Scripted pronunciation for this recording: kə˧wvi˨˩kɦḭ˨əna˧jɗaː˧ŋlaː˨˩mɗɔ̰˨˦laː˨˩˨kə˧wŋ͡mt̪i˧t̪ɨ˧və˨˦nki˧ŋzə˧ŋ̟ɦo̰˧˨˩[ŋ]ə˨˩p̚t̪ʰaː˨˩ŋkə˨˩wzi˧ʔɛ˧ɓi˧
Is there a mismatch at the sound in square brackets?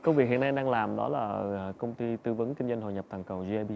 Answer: yes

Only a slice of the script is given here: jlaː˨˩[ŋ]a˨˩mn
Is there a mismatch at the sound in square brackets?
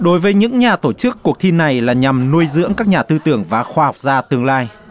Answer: yes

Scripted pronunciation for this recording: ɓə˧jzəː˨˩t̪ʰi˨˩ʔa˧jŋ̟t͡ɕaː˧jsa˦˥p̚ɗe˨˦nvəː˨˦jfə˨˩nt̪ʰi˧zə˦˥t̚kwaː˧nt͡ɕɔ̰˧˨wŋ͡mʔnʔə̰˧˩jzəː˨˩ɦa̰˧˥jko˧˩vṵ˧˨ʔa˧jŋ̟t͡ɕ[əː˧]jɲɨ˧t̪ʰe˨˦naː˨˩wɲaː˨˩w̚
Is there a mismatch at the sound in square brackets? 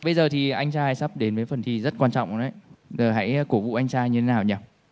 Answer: yes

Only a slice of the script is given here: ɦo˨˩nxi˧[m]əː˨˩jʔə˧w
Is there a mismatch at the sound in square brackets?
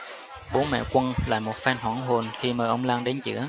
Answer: no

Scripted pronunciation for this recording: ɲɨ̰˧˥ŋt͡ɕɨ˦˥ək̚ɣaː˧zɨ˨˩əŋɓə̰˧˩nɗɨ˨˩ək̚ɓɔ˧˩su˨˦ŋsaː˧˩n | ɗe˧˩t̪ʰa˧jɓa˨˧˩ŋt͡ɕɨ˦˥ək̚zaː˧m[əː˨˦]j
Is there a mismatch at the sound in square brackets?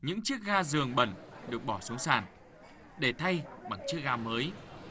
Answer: no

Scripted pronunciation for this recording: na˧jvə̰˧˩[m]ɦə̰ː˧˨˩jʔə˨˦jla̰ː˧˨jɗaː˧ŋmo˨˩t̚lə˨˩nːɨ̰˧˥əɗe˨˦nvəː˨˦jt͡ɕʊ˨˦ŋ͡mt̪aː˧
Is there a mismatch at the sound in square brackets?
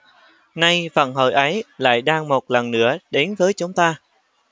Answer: yes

